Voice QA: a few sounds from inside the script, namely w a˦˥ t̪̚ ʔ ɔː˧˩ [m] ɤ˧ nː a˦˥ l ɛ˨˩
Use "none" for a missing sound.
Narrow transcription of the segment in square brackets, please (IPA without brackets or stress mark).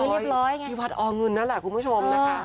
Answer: ŋ